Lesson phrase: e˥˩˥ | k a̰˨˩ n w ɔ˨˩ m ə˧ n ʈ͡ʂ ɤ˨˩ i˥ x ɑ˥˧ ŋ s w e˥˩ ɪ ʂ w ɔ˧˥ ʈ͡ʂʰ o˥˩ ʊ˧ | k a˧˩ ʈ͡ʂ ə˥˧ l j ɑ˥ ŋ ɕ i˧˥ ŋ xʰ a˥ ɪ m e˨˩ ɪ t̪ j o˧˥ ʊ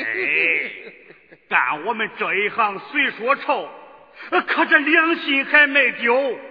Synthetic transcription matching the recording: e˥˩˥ | k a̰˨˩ n w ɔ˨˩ m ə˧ n ʈ͡ʂ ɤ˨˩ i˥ x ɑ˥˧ ŋ s w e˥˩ ɪ ʂ w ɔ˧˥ ʈ͡ʂʰ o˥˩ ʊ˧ | kʰ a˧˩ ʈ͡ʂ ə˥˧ l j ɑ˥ ŋ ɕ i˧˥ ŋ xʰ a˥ ɪ m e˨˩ ɪ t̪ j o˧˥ ʊ